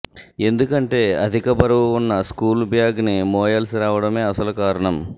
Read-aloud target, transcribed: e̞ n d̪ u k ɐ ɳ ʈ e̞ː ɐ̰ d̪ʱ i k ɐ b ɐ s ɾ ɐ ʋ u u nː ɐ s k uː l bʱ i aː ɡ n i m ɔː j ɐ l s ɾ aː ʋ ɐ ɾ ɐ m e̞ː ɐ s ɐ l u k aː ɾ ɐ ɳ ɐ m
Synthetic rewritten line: e̞ n d̪ u k ɐ ɳ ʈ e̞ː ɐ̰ d̪ʱ i k ɐ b ɐ ɾ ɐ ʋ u u nː ɐ s k uː l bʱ j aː ɡ n i m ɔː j ɐ l s ɾ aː ʋ ɐ ɽ ɐ m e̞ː ɐ s ɐ l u k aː ɾ ɐ ɳ ɐ m